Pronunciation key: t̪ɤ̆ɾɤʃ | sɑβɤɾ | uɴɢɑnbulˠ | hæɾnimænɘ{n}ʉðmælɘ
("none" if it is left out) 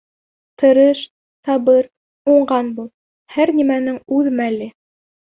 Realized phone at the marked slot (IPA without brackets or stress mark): ŋ